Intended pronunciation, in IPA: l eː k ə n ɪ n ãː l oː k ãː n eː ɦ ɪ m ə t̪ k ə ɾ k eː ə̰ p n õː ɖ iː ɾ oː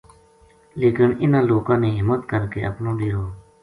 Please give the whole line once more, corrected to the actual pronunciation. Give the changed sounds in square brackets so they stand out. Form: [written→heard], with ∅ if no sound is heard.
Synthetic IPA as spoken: l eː k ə n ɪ n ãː l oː k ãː n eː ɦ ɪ m ə t̪ k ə ɾ k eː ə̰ p n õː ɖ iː ɾ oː